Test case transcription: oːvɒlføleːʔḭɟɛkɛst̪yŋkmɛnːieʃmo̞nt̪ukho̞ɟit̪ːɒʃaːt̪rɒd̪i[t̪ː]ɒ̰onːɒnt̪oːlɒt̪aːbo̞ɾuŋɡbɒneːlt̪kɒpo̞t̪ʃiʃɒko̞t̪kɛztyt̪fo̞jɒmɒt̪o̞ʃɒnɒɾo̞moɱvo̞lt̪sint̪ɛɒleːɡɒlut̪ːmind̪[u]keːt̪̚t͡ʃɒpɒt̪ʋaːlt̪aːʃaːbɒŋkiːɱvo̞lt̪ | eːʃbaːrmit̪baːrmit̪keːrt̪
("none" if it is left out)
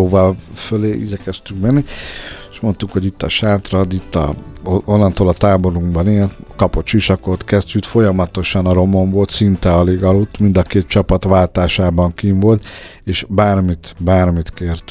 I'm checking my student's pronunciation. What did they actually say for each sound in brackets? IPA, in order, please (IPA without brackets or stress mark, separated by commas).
t̪ː, ɒ